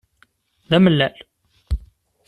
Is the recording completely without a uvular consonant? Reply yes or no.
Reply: yes